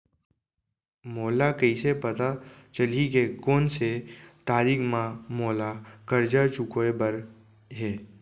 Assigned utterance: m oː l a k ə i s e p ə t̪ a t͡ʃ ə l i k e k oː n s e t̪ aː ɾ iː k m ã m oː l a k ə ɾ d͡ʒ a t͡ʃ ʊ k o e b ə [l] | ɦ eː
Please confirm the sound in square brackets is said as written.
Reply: no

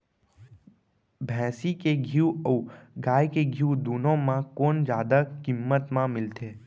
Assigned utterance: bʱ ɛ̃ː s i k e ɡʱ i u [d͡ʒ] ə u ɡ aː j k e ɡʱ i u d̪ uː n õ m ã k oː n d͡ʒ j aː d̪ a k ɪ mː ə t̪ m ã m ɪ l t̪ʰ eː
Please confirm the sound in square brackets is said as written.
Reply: no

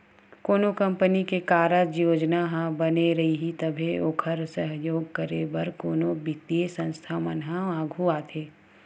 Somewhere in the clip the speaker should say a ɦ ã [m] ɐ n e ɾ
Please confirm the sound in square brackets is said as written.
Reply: no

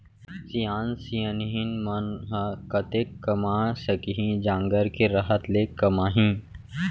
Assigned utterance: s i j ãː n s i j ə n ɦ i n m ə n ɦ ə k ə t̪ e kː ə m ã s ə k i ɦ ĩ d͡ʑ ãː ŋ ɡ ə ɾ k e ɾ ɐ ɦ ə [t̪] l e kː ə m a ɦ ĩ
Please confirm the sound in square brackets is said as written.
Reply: yes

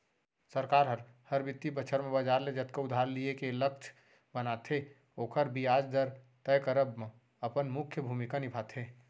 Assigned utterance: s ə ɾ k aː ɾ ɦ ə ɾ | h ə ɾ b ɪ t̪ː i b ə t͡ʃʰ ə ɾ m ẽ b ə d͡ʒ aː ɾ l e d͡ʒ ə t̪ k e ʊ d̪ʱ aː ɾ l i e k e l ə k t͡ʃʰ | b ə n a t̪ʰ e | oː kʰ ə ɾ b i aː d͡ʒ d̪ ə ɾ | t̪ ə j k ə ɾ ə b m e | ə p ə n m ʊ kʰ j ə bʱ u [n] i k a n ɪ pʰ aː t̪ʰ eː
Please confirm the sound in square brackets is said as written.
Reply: no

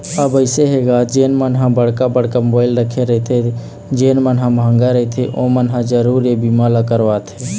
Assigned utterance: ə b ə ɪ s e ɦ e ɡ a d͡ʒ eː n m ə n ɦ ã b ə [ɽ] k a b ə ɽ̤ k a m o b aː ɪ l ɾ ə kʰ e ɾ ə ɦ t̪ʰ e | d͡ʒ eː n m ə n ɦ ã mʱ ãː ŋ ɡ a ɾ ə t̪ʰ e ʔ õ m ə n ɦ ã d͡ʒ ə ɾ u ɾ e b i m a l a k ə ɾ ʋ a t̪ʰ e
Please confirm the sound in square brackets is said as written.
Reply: yes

